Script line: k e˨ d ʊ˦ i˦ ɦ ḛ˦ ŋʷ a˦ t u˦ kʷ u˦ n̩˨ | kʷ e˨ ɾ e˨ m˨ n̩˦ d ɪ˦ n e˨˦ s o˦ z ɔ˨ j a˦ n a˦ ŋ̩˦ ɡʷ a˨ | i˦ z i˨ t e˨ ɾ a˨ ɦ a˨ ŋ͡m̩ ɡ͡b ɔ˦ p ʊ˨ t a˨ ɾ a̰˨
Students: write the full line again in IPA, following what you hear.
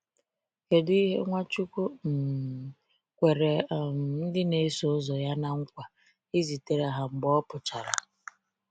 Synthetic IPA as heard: k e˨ d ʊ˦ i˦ ɦ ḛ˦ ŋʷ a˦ t͡ʃ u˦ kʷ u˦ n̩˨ | kʷ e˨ ɾ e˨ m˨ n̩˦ d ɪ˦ n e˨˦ s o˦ z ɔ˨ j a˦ n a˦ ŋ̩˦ kʷ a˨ | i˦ z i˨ t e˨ ɾ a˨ ɦ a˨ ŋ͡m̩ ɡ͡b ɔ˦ p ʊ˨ t͡ʃ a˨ ɾ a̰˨